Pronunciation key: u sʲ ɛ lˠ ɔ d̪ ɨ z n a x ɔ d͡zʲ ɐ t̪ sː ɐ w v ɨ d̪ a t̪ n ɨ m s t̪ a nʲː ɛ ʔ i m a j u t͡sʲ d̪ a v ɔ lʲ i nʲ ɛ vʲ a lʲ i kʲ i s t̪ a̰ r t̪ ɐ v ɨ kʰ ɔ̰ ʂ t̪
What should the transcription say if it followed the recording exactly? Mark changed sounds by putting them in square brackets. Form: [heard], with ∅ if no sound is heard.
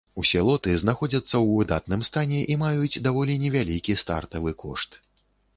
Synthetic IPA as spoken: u sʲ ɛ lˠ ɔ [t̪] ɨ z n a x ɔ d͡zʲ ɐ t̪ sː ɐ w v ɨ d̪ a t̪ n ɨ m s t̪ a [nʲ] ɛ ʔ i m a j u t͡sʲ d̪ a v ɔ lʲ i nʲ ɛ vʲ a lʲ i kʲ i s t̪ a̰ r t̪ ɐ v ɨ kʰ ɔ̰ ʂ t̪